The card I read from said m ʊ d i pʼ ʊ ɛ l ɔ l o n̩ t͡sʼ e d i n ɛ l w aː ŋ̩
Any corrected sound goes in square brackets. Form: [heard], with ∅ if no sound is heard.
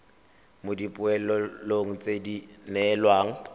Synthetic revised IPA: m ʊ d i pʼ ʊ ɛ l ɔ l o [ŋ̩] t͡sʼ e d i n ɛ l w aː ŋ̩